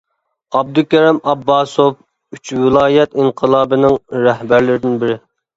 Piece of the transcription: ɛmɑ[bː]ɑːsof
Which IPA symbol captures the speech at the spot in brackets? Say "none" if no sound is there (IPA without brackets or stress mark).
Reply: bː